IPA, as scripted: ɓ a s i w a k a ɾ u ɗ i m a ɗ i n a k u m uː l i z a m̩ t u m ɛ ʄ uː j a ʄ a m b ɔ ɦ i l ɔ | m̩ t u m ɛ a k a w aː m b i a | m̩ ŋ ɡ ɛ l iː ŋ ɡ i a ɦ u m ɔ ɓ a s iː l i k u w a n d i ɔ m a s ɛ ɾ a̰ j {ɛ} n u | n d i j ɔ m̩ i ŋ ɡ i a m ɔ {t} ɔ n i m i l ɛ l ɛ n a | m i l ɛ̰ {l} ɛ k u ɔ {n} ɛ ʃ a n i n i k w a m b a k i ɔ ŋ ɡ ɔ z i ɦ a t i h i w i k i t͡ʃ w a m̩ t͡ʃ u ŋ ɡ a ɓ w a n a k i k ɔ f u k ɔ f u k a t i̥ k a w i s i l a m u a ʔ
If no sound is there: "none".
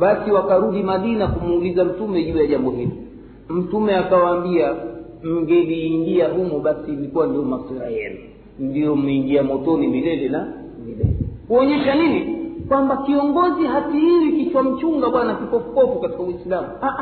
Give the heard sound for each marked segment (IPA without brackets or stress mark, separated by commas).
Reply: ɛ, t, l, ɲ